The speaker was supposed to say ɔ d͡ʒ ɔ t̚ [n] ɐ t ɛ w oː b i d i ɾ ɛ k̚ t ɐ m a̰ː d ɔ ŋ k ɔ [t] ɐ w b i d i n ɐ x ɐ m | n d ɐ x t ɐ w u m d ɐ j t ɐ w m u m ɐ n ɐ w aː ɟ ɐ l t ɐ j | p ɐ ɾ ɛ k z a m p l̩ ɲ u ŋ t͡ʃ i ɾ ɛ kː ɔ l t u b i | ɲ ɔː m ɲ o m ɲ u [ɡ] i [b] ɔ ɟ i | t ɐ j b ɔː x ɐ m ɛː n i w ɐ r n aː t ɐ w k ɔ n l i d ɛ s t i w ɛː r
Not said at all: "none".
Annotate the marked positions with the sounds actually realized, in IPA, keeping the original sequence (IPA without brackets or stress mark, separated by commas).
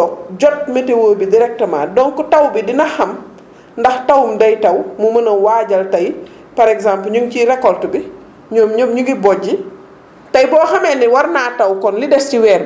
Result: m, t, ɡ, b